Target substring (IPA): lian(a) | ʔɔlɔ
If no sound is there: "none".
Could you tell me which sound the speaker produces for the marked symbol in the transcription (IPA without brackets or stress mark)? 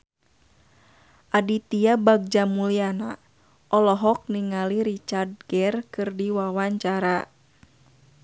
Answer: a